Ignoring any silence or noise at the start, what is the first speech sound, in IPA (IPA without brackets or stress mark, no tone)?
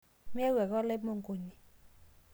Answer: m